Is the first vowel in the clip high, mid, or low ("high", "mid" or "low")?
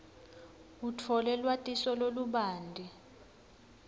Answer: high